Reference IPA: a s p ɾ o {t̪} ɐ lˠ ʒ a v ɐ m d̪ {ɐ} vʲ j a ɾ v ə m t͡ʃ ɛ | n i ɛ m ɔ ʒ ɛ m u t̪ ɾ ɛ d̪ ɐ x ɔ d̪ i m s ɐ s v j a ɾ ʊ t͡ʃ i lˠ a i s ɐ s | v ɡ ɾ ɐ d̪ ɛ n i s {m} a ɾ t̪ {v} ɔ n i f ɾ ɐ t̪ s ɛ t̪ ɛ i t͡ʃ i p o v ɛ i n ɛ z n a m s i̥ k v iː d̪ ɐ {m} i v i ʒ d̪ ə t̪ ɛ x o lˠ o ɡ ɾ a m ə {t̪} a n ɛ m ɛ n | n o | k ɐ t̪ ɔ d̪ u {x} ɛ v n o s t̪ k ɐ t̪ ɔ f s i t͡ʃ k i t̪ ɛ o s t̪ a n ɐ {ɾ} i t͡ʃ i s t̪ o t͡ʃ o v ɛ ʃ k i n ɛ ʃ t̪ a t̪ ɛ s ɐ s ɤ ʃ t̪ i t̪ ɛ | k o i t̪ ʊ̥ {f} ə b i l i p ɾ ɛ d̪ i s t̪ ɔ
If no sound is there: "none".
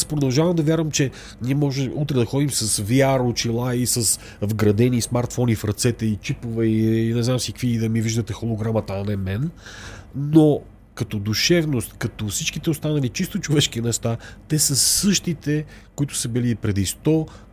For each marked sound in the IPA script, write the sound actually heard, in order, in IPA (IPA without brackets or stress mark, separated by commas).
d̪, ɐ, m, f, m, t̪, ʃ, l, s